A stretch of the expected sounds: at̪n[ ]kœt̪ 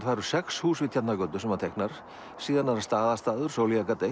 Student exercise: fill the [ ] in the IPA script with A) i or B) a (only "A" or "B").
B